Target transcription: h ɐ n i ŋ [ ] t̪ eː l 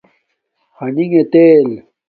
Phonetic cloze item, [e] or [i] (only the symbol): e